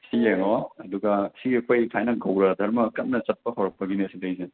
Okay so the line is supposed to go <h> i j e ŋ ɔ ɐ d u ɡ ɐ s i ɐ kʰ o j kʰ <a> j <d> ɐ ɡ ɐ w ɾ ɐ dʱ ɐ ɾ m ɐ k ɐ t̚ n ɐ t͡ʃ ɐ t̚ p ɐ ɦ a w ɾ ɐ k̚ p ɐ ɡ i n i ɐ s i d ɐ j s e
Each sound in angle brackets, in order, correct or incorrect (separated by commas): incorrect, correct, incorrect